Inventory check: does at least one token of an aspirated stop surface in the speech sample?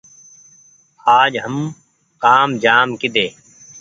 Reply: no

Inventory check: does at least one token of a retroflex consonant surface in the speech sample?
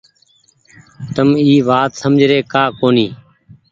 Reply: no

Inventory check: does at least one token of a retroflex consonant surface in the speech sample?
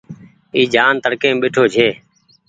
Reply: yes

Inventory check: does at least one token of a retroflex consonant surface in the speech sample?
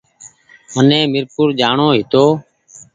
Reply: yes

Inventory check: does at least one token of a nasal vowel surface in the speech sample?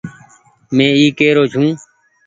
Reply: yes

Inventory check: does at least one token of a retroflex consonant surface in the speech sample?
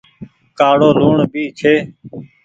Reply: yes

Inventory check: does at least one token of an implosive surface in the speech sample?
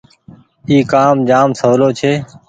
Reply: no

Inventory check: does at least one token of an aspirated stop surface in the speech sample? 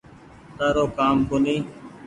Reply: no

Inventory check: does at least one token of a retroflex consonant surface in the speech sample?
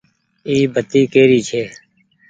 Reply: no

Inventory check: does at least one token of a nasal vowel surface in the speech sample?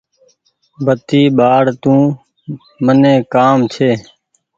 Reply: yes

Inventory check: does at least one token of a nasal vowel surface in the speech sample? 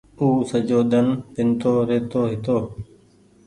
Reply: no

